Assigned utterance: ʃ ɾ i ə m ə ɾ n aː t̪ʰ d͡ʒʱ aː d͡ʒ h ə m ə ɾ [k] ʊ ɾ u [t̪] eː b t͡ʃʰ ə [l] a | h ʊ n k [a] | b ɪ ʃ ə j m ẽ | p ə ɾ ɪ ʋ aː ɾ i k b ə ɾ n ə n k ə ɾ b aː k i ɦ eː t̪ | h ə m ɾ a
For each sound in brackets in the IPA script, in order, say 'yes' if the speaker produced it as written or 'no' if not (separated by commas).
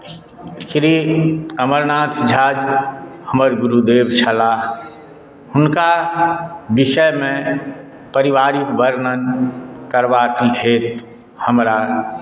no, no, yes, yes